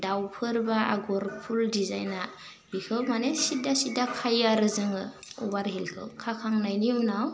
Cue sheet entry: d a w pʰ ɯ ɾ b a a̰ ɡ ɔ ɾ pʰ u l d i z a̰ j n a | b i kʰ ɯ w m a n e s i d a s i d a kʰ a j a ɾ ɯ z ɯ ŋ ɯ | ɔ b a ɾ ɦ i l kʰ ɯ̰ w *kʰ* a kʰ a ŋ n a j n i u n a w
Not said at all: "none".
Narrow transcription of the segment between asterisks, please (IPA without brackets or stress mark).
kʰ